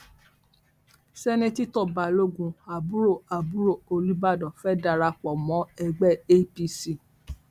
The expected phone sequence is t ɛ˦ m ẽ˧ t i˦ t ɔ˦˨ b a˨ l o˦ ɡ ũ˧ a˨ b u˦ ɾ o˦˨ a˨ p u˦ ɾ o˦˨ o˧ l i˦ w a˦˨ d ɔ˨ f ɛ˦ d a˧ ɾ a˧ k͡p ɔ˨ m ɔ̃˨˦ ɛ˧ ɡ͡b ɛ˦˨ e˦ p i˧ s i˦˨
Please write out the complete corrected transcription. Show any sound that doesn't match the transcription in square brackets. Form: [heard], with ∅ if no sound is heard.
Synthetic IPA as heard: [s] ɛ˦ [n] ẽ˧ t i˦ t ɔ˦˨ b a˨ l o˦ ɡ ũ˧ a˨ b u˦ ɾ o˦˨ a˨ [b] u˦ ɾ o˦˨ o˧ l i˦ [b] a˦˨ d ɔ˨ f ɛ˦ d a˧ ɾ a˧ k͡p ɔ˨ m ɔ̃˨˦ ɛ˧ ɡ͡b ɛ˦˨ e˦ p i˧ s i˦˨